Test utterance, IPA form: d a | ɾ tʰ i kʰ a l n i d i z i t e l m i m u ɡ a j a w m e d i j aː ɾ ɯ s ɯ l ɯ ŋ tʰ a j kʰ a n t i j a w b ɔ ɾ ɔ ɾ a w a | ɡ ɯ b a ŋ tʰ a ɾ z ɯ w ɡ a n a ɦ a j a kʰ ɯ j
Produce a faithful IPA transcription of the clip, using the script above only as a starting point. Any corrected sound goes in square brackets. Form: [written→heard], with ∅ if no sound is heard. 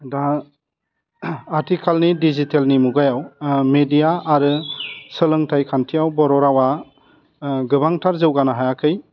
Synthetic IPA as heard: d a | ɾ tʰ i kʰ a l n i d i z i t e l [m→n] i m u ɡ a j a w m e d i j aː ɾ ɯ s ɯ l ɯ ŋ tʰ a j kʰ a n [t→tʰ] i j a w b ɔ ɾ ɔ ɾ a w a | ɡ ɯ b a ŋ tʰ a ɾ z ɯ w ɡ a n a ɦ a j a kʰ ɯ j